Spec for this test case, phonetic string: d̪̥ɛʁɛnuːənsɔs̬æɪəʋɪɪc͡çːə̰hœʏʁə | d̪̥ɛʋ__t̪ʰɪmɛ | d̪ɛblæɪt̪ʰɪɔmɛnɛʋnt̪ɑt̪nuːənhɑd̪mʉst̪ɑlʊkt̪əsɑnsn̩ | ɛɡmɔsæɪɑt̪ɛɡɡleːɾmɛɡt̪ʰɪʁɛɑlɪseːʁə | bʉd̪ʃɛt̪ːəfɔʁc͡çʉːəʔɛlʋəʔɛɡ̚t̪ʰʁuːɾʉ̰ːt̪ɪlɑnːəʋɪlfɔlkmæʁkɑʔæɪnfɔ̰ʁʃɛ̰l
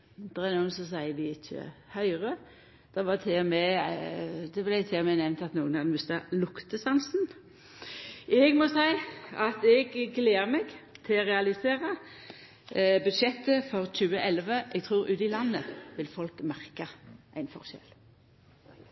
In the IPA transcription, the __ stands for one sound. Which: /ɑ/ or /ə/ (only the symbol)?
ɑ